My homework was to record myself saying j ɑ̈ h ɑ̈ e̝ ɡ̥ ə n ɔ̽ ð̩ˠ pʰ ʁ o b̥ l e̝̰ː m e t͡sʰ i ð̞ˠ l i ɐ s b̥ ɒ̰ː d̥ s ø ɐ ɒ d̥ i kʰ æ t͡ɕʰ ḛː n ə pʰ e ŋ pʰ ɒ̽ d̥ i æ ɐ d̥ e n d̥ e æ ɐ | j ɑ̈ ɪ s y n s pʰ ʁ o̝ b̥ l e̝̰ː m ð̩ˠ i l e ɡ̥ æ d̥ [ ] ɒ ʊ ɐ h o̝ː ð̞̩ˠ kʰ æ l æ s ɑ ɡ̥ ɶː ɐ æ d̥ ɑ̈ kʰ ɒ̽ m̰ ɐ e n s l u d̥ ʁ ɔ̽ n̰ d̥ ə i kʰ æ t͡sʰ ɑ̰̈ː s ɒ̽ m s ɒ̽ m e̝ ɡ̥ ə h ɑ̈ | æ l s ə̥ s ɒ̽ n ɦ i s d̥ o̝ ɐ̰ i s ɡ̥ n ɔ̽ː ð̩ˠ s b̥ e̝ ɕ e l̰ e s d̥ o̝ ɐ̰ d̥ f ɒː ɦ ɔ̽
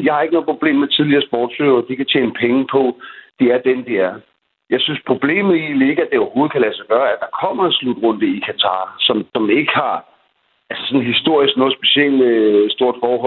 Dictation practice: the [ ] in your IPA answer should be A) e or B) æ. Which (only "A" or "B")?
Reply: A